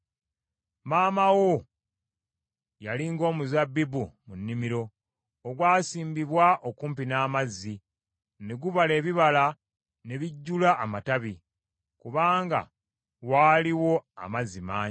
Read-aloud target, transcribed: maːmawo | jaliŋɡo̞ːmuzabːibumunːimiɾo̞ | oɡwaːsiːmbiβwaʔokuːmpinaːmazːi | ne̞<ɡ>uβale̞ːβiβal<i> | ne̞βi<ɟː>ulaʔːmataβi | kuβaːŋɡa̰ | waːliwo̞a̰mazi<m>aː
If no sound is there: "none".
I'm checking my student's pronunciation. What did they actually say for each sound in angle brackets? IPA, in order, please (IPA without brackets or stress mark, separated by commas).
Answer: ɡ, a, ɟː, m